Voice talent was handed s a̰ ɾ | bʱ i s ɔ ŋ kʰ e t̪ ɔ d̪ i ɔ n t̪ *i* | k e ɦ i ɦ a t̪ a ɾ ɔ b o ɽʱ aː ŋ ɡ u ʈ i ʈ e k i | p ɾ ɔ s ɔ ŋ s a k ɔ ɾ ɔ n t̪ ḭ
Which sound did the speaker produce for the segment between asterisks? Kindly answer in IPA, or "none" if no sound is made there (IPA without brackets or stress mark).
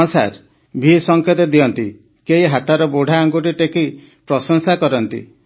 i